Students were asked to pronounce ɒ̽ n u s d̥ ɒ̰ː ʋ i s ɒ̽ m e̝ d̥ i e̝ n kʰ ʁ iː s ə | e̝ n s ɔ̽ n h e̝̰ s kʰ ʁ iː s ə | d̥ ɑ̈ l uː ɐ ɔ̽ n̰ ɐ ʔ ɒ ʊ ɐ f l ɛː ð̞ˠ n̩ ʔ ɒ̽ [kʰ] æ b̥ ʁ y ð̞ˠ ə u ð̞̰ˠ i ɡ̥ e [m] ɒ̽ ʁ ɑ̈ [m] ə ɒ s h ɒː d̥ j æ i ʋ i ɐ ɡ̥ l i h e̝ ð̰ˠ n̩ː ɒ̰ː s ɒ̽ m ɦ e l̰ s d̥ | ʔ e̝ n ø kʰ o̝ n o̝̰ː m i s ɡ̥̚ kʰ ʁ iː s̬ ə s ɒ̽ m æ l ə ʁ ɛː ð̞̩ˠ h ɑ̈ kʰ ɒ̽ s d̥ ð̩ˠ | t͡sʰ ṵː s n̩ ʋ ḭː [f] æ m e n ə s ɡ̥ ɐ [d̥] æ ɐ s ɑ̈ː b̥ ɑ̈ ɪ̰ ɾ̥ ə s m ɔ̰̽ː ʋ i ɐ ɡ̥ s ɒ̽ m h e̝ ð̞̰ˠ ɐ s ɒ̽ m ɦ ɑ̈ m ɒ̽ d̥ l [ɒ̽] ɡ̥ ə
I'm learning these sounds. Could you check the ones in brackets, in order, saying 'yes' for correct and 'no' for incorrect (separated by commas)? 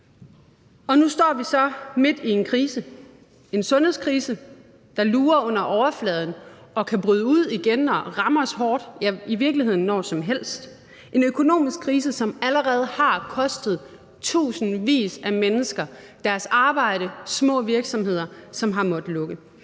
yes, no, yes, no, yes, no